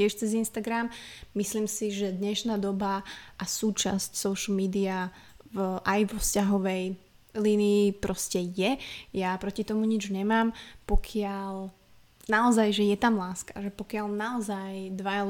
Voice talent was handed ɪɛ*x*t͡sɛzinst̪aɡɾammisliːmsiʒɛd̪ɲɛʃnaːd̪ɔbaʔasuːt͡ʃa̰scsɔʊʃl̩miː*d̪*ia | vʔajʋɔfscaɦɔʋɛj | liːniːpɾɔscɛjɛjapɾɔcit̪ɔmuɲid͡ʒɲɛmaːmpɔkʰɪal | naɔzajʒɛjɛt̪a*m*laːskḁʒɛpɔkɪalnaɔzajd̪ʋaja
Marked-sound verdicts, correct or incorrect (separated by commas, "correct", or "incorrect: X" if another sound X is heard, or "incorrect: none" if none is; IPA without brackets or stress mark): incorrect: ʃ, correct, correct